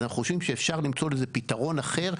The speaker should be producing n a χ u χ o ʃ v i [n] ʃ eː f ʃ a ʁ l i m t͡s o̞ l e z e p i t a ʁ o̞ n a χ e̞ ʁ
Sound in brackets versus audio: incorrect: m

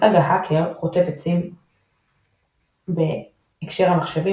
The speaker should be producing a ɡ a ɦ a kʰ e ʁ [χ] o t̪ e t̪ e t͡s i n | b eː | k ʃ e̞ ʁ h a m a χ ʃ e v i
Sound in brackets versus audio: correct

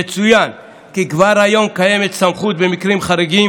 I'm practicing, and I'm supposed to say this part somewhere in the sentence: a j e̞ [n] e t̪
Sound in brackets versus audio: incorrect: m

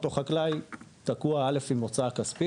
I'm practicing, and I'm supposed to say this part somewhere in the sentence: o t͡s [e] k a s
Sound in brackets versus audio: incorrect: a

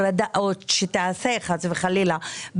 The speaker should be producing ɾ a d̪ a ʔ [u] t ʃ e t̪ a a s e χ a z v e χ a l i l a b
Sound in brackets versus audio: incorrect: o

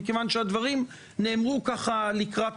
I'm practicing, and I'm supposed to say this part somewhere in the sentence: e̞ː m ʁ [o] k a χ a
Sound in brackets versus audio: incorrect: u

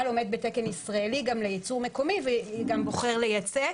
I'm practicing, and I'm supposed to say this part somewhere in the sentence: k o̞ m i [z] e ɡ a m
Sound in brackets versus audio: incorrect: v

